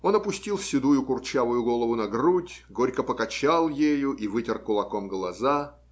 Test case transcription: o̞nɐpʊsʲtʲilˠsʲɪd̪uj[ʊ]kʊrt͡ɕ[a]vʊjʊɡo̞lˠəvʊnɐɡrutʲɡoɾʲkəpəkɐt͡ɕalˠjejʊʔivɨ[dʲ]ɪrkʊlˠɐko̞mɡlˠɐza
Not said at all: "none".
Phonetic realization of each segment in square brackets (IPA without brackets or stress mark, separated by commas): ʊ, a, tʲ